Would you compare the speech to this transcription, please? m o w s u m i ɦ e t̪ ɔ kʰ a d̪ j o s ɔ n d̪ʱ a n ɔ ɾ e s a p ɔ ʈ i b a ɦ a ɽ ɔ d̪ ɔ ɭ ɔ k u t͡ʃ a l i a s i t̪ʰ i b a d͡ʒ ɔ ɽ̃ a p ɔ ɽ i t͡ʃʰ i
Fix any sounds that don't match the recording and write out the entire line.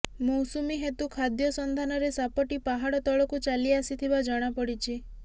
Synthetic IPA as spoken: m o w s u m i ɦ e t̪ u kʰ a d̪ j ɔ s ɔ n d̪ʱ a n ɔ ɾ e s a p ɔ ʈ i p a ɦ a ɽ ɔ t̪ ɔ ɭ ɔ k u t͡ʃ a l i a s i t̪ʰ i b a d͡ʒ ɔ ɽ̃ a p ɔ ɽ i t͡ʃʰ i